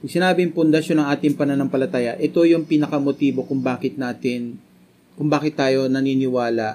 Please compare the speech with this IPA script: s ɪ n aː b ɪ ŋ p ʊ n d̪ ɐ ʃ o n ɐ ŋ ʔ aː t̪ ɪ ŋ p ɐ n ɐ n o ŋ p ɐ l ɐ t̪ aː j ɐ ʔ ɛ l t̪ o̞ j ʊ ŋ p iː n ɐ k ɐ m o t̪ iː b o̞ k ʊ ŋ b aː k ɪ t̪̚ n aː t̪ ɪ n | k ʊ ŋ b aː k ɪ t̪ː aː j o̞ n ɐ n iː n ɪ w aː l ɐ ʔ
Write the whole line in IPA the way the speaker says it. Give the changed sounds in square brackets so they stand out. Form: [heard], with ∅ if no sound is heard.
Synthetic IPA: s ɪ n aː b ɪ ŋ p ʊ n d̪ ɐ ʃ o n ɐ ŋ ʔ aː t̪ ɪ ŋ p ɐ n ɐ n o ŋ p ɐ l ɐ t̪ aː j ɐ ʔ ɛ [∅] t̪ o̞ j ʊ ŋ p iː n ɐ k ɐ m o t̪ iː b o̞ k ʊ ŋ b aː k ɪ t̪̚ n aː t̪ ɪ n | k ʊ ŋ b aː k ɪ t̪ː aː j o̞ n ɐ n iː n ɪ w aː l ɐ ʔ